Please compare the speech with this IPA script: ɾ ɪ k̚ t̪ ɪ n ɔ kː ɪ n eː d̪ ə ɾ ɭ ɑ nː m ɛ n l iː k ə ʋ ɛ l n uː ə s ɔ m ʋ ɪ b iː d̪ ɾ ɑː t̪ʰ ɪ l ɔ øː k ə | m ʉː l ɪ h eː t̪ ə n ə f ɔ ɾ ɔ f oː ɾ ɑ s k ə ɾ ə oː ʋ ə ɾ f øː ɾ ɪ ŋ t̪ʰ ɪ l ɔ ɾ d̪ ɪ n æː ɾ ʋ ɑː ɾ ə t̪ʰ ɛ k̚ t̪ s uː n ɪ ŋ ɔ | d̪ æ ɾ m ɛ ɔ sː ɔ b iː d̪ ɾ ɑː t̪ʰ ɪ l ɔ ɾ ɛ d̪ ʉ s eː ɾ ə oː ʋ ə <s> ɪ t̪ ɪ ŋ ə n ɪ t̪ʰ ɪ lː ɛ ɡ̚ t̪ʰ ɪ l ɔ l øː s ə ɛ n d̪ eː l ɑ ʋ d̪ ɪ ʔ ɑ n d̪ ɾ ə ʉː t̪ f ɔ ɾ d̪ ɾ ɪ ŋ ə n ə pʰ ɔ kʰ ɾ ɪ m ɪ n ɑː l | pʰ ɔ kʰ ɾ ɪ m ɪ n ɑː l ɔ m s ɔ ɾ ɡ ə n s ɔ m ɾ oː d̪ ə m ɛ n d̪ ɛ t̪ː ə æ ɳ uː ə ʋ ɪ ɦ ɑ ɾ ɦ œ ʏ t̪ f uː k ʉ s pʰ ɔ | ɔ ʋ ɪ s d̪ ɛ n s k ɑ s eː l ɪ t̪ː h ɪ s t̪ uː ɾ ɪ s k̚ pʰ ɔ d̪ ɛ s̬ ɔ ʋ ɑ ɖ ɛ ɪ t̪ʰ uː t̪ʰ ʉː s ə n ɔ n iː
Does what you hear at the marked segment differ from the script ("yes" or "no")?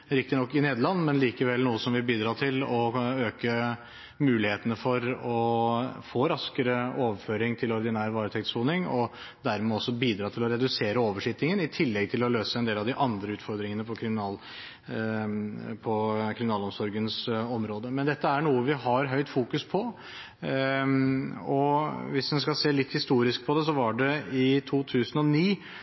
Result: yes